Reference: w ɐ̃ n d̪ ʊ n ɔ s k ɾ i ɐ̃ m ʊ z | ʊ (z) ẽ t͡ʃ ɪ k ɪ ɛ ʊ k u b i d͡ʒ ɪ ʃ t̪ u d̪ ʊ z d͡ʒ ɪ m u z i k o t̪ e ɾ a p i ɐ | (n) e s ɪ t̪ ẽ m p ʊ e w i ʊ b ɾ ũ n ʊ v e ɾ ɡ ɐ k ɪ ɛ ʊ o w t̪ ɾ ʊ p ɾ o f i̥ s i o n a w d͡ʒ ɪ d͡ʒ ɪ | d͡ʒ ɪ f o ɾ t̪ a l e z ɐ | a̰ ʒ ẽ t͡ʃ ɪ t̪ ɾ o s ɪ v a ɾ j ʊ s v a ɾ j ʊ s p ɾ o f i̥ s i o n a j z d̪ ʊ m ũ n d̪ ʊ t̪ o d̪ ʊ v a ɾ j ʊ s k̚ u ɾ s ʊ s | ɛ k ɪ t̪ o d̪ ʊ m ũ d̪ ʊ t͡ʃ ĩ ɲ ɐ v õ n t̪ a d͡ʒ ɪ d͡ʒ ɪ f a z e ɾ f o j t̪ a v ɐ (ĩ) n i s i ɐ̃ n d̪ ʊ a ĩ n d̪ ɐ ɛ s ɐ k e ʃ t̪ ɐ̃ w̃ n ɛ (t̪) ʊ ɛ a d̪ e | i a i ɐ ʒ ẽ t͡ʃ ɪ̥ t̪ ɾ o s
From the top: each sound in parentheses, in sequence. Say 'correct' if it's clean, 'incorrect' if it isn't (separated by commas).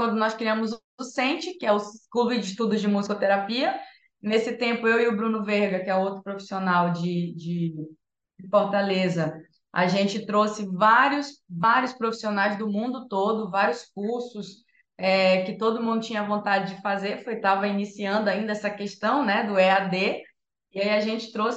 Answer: incorrect, correct, incorrect, incorrect